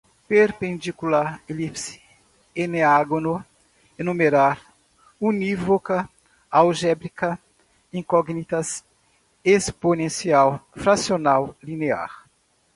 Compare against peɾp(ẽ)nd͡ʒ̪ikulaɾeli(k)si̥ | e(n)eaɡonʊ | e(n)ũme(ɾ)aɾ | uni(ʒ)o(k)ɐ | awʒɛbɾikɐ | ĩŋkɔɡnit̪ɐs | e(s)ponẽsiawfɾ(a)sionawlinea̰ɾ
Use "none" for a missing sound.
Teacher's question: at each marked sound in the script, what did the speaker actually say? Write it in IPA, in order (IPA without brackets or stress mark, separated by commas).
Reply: ẽ, p, n, n, ɾ, v, k, s, a